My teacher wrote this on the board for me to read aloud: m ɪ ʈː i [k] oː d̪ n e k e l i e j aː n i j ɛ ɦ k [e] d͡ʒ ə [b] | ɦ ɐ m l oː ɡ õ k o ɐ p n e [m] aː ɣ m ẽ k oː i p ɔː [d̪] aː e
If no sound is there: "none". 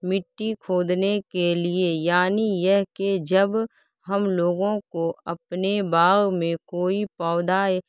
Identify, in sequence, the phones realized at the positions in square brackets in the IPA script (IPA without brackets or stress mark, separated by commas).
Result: kʰ, e, b, b, d̪